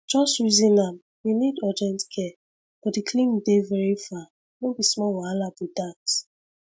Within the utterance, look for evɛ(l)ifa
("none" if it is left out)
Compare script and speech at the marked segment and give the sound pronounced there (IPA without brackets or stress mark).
ɹ